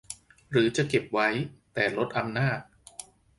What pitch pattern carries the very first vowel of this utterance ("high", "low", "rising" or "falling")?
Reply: rising